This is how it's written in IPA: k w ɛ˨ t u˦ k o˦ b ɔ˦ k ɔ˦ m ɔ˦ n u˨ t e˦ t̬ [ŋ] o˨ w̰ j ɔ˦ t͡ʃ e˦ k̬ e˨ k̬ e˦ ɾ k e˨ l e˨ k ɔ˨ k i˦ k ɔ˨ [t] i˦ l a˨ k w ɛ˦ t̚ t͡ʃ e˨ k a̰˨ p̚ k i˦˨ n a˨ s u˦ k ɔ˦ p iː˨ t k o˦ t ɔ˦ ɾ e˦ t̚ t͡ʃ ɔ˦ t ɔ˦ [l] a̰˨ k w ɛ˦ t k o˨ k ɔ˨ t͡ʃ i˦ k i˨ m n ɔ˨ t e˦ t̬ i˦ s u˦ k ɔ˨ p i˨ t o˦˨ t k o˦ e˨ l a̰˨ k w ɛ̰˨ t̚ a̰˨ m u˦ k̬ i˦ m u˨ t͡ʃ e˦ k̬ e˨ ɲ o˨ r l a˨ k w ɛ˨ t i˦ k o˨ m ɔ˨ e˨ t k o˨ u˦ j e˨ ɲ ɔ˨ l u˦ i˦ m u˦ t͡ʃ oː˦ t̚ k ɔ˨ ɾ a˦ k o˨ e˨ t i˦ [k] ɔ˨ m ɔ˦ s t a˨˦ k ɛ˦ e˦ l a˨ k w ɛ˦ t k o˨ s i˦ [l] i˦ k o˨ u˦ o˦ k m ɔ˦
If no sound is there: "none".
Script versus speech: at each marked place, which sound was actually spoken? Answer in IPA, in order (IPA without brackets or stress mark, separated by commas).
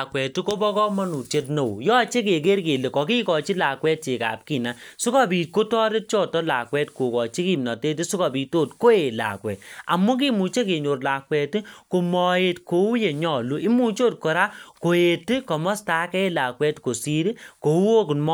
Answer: n, t͡ʃ, l, k, ɾ